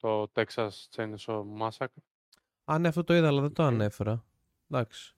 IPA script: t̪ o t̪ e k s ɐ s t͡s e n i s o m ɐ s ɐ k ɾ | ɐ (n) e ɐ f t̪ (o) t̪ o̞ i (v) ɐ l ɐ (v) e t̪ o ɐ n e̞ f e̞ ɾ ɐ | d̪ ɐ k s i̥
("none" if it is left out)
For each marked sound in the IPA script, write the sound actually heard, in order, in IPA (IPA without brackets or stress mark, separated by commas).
n, o, ð, ð